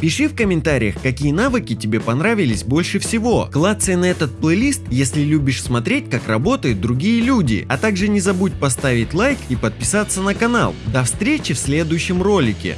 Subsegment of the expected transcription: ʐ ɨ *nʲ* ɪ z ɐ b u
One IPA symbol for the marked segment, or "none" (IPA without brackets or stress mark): nʲ